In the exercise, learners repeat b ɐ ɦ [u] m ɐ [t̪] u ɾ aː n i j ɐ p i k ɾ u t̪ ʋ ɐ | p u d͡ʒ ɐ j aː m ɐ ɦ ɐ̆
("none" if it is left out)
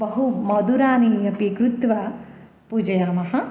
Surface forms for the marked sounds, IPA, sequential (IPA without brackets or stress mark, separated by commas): u, d̪